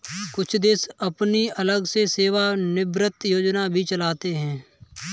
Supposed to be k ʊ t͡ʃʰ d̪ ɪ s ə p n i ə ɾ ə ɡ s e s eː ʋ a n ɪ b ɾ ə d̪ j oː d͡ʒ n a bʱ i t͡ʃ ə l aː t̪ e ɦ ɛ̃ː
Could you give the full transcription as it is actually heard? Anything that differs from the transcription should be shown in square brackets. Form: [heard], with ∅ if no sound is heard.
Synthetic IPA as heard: k ʊ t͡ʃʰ d̪ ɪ s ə p n i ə [l] ə ɡ s e s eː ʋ a n ɪ b ɾ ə [t̪] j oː d͡ʒ n a bʱ i t͡ʃ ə l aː t̪ e ɦ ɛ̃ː